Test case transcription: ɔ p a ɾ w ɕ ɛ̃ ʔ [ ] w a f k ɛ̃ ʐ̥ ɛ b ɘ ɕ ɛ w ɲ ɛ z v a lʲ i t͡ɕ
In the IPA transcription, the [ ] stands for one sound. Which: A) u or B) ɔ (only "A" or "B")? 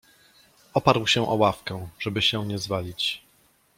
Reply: B